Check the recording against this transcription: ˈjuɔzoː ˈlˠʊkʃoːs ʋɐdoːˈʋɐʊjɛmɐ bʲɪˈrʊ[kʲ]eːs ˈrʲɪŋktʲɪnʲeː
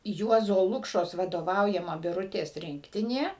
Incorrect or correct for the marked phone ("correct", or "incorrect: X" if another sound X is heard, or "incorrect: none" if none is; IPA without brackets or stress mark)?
incorrect: tʲ